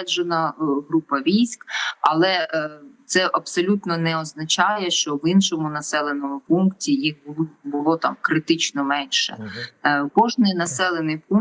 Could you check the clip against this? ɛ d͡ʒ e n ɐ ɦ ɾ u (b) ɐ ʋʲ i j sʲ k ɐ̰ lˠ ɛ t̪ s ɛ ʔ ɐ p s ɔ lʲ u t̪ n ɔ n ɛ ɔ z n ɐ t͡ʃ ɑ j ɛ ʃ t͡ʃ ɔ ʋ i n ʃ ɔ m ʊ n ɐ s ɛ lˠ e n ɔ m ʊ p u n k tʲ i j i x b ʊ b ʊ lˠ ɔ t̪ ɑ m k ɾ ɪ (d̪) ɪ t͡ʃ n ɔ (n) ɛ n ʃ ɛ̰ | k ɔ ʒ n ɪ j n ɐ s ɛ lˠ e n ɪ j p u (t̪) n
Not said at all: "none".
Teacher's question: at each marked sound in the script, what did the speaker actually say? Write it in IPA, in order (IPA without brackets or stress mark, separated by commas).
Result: p, t̪, m, none